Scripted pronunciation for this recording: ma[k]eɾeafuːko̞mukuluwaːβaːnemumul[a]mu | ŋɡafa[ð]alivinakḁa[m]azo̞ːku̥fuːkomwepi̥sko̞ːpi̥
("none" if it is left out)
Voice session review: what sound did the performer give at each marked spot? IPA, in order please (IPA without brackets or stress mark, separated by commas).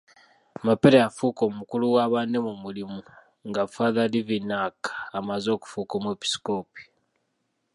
p, i, ð, m